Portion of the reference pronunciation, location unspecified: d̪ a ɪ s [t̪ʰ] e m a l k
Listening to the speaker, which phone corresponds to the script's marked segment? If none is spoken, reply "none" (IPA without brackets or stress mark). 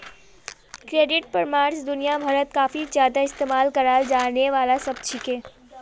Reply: t̪